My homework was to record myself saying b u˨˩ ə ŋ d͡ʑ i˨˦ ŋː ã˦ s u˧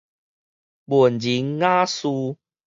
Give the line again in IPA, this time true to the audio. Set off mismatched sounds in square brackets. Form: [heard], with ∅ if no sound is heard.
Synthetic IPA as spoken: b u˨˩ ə [n] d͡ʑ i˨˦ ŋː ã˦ s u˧